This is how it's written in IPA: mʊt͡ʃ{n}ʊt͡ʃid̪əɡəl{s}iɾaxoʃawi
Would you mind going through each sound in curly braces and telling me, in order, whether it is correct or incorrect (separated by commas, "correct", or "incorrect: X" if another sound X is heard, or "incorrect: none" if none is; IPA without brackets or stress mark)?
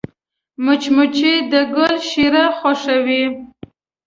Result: incorrect: m, incorrect: ʃ